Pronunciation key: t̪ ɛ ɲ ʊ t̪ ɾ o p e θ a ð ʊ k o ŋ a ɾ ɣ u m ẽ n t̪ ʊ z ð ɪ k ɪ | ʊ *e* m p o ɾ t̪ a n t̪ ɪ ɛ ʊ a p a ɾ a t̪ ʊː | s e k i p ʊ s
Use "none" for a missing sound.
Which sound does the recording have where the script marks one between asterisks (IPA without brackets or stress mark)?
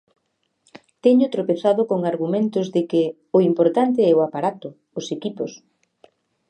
i